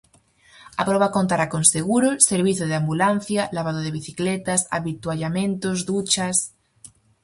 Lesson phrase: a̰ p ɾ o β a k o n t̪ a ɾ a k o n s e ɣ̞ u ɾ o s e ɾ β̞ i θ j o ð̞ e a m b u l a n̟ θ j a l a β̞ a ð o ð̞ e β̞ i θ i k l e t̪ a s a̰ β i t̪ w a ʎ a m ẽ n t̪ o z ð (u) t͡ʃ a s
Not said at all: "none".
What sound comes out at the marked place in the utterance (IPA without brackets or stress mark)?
u